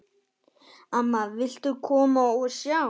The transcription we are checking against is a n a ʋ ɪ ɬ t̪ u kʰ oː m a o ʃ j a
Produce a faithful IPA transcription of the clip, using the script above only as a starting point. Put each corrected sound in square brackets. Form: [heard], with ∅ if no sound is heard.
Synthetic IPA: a [m] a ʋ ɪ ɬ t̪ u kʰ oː m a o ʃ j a